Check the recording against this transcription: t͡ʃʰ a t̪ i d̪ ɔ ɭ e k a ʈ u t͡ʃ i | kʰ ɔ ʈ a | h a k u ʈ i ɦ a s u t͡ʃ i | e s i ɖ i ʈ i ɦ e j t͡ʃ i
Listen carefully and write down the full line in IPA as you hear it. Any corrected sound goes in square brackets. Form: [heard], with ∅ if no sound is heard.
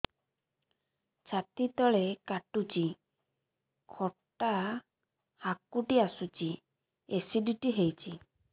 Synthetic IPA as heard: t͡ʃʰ a t̪ i [t̪] ɔ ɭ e k a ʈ u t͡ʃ i | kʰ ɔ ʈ a | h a k u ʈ i [∅] a s u t͡ʃ i | e s i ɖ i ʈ i ɦ e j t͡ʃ i